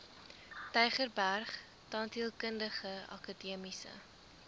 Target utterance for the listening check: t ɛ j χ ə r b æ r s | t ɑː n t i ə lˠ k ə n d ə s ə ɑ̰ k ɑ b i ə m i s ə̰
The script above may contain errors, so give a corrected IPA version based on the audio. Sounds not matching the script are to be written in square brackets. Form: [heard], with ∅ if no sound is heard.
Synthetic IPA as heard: t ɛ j χ ə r b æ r [χ] | t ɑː n t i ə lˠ k ə n d ə [χ] ə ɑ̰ k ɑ [d] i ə m i s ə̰